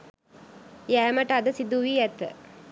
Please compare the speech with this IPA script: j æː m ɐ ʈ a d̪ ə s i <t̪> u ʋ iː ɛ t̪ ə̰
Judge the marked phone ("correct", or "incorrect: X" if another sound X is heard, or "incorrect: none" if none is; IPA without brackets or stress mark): incorrect: d̪